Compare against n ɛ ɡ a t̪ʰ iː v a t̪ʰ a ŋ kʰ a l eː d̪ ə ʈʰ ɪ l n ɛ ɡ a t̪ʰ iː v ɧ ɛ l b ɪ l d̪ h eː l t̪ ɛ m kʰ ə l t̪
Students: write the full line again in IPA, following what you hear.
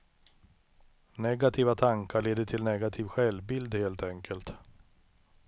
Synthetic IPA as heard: n ɛ ɡ a t̪ʰ iː v a t̪ʰ a ŋ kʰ a ɭ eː d̪ ə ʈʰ ɪ l n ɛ ɡ a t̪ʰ iː v ɧ ɛ l b ɪ l d̪ h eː l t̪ ɛ ŋ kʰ ə l t̪